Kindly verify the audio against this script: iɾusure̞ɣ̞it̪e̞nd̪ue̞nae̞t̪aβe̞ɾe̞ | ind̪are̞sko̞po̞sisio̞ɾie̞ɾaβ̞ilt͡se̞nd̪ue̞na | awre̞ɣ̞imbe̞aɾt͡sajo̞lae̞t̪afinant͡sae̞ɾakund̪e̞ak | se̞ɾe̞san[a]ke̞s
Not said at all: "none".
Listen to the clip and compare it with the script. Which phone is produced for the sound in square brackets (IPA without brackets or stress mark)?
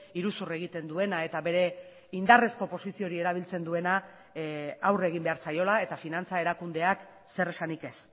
i